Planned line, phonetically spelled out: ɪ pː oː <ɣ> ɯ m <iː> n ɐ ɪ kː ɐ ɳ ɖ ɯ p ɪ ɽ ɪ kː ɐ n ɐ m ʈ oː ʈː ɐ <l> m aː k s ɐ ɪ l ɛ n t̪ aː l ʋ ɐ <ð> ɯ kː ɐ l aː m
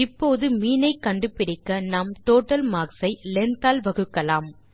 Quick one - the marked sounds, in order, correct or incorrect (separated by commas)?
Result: incorrect, correct, correct, incorrect